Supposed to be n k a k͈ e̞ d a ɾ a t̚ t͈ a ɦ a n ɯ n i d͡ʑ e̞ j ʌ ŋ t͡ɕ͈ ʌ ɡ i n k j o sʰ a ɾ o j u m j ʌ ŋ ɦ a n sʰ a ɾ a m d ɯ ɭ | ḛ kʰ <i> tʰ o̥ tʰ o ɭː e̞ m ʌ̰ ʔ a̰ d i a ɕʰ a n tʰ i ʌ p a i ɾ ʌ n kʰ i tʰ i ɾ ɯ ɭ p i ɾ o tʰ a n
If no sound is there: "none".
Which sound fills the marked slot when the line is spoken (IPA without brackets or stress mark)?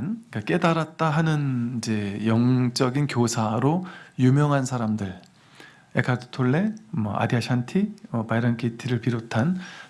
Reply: a